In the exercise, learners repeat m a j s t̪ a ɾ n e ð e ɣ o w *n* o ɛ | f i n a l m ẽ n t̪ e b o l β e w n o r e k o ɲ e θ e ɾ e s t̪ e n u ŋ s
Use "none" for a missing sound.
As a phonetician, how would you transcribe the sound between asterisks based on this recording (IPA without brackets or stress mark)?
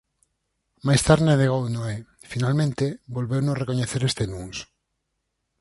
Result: n